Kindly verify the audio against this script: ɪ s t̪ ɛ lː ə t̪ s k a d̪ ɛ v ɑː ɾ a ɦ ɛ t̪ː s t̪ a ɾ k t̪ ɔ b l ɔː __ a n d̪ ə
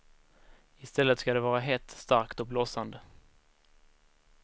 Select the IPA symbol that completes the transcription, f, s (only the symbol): s